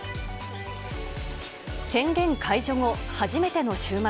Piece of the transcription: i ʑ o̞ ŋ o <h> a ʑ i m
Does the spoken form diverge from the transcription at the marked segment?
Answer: no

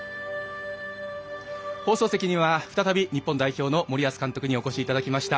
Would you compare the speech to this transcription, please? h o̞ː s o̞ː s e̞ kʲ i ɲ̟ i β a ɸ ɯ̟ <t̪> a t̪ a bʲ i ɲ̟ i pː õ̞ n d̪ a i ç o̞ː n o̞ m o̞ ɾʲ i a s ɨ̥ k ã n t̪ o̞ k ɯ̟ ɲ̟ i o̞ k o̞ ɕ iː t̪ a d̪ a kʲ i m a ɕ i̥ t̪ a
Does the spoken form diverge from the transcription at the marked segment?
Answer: no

